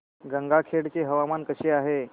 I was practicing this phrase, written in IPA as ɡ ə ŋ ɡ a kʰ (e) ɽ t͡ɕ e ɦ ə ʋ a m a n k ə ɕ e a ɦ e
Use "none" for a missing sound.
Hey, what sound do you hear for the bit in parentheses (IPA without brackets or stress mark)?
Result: e